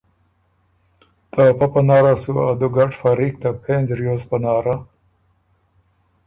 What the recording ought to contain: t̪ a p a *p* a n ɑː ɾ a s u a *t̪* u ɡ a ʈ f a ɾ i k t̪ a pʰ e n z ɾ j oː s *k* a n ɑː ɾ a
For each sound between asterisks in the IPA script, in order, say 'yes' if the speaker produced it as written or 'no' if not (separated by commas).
yes, no, no